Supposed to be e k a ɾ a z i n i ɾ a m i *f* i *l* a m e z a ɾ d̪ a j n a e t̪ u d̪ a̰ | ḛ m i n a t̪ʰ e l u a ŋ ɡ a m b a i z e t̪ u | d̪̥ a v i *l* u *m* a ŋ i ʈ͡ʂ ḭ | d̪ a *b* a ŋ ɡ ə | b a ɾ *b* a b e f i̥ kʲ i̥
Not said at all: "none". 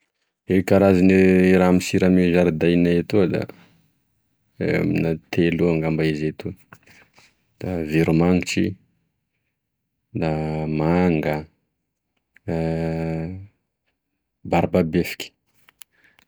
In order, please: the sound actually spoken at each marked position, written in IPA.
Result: s, ɾ, ɾ, m, m, b

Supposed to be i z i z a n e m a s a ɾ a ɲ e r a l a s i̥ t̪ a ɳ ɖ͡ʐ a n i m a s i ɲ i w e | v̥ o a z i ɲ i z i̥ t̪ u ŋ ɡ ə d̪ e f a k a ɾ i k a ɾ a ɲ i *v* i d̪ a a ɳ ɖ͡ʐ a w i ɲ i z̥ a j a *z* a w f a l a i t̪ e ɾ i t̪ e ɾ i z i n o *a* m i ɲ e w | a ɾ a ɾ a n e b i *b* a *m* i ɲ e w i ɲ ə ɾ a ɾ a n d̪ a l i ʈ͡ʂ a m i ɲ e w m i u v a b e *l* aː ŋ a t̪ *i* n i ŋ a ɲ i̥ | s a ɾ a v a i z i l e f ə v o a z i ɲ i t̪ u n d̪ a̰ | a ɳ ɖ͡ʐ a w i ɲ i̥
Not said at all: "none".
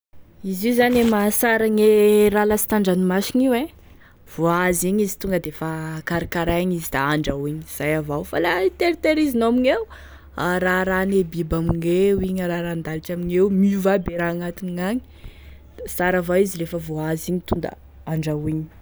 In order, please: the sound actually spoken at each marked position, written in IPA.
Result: z, v, a, b, m, ɾ, i

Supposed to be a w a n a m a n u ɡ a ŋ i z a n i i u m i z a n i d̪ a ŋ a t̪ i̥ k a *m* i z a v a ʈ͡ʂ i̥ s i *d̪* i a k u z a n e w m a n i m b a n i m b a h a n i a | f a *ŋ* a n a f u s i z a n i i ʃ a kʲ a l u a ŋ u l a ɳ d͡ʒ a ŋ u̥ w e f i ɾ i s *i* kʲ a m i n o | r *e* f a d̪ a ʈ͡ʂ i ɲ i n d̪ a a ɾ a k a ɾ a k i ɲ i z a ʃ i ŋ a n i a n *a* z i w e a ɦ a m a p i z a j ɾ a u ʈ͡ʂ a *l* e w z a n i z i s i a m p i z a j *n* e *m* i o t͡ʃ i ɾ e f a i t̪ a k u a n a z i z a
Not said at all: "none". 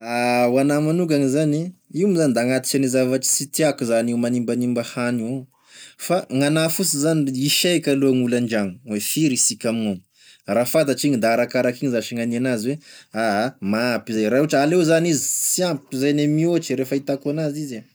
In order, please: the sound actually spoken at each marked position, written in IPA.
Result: n, t̪, ŋ, i, a, a, l, n, m

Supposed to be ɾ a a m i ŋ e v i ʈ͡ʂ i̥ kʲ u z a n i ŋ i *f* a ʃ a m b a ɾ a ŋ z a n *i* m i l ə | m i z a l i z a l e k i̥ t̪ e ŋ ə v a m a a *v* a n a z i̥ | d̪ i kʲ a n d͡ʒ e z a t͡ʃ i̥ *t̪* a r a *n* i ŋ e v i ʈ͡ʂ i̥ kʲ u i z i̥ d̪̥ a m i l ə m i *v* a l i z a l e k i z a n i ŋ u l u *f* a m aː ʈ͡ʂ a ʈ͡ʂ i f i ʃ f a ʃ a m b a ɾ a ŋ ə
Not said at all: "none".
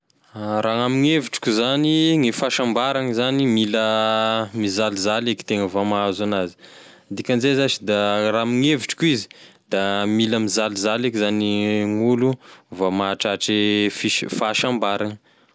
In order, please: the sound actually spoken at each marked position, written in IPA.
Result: f, i, z, d̪, m, z, v

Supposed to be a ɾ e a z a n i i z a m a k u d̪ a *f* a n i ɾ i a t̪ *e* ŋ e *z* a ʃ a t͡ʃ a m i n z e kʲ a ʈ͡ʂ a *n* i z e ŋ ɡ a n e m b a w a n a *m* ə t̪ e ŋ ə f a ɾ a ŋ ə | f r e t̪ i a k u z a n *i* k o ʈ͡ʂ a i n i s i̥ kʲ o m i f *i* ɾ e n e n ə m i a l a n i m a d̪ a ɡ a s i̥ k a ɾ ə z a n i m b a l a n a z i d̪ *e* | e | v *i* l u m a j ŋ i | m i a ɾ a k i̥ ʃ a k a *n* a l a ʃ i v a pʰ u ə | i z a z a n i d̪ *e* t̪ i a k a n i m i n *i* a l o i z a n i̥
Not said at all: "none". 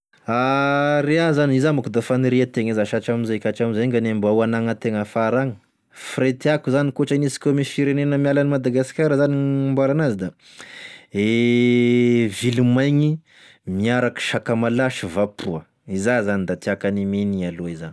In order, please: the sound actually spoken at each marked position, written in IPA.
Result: f, e, z, m, ŋ, i, i, a, i, m, a, i

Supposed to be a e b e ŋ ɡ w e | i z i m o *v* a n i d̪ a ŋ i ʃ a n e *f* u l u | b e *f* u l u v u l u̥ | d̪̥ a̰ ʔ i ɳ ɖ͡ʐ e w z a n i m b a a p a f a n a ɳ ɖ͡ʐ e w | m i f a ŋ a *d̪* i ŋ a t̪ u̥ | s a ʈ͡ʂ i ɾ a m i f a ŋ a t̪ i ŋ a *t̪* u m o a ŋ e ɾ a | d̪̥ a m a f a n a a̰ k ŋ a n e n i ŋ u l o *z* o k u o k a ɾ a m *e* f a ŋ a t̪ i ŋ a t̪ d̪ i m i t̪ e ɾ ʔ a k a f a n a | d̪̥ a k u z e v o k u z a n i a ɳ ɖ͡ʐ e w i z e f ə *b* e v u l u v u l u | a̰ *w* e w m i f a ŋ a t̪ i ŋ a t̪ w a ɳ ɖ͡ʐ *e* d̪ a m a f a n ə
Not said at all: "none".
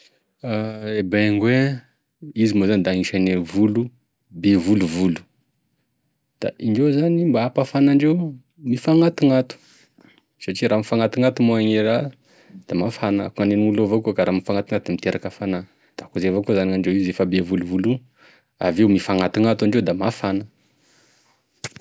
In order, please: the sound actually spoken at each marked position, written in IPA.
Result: z, v, v, t̪, t̪, v, i, b, v, e

